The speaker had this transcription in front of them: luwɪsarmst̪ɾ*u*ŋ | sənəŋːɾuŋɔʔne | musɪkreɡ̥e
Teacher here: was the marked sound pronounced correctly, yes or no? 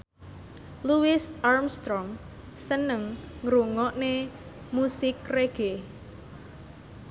no